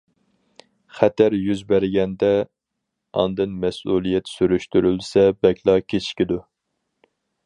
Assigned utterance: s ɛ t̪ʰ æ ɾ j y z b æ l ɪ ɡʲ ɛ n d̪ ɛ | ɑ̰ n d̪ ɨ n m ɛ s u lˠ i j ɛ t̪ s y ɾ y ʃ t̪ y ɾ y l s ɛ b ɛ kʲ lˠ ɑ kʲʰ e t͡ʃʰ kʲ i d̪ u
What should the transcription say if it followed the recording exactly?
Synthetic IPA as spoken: χ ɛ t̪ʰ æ ɾ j y z b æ ɾ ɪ ɡʲ ɛ n d̪ ɛ | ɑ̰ n d̪ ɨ n m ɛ s u lˠ i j ɛ t̪ s y ɾ y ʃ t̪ y ɾ y l s ɛ b ɛ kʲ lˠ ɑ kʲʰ e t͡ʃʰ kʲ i d̪ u

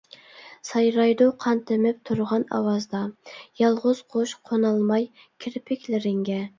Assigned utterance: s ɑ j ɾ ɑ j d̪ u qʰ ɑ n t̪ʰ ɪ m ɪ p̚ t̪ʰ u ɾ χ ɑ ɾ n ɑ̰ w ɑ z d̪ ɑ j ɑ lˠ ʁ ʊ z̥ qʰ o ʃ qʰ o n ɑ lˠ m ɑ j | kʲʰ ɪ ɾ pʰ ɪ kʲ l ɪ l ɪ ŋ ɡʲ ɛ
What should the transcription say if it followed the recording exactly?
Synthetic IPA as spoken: s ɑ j ɾ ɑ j d̪ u qʰ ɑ n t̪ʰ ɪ m ɪ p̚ t̪ʰ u ɾ ʁ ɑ n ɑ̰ w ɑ z d̪ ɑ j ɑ lˠ ʁ ʊ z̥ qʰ o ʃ qʰ o n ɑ lˠ m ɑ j | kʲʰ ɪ ɾ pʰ ɪ kʲ l ɪ ɾ ɪ ŋ ɡʲ ɛ

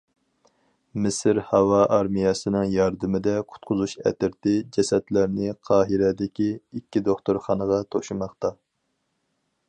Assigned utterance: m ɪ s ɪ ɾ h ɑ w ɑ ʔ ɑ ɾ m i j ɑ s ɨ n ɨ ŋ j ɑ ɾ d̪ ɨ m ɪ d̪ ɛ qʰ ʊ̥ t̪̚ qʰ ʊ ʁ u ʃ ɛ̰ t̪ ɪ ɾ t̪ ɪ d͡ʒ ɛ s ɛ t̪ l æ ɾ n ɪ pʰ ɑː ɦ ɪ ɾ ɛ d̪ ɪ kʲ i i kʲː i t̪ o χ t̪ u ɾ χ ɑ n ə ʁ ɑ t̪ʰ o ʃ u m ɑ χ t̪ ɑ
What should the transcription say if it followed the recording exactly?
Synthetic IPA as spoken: m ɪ s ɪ ɾ h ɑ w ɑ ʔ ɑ ɾ m i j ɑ s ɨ n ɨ ŋ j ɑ ɾ d̪ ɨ m ɪ d̪ ɛ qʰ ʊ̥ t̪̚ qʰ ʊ z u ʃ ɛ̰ t̪ ɪ ɾ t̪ ɪ d͡ʒ ɛ s ɛ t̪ l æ ɾ n ɪ qʰ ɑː ɦ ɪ ɾ ɛ d̪ ɪ kʲ i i kʲː i d̪ o χ t̪ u ɾ χ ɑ n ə ʁ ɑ t̪ʰ o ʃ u m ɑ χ t̪ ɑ

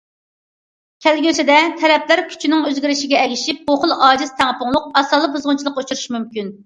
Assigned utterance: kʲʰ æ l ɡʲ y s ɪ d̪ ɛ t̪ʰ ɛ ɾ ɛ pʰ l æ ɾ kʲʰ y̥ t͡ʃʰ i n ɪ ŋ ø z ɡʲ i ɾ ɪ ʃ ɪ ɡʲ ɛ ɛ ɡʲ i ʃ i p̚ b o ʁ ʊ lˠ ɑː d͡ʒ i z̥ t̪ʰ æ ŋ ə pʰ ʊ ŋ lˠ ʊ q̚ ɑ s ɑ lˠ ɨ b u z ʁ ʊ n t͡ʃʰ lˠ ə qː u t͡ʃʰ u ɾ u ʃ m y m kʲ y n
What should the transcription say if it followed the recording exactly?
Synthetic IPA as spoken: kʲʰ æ l ɡʲ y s ɪ d̪ ɛ t̪ʰ ɛ ɾ ɛ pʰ l æ ɾ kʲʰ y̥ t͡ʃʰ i n ɪ ŋ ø z ɡʲ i ɾ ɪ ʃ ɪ ɡʲ ɛ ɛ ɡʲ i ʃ i p̚ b o χ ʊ lˠ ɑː d͡ʒ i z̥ t̪ʰ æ ŋ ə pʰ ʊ ŋ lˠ ʊ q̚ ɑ s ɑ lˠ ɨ b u z ʁ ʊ n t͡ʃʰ lˠ ə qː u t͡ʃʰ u ɾ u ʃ m y m kʲ y n

